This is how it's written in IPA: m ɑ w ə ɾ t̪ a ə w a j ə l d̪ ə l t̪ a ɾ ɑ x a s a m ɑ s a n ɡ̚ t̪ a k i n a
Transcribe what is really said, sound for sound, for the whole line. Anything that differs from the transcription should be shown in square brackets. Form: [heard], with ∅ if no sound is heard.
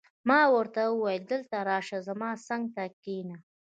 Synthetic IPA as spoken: m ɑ w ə ɾ t̪ a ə w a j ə l d̪ ə l t̪ a ɾ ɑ [ʃ] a [z] a m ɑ s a [ŋ] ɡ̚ t̪ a k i n a